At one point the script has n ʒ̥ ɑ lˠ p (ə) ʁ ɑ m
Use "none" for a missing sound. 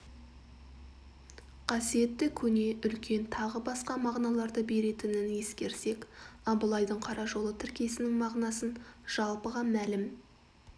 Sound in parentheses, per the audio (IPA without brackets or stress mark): ə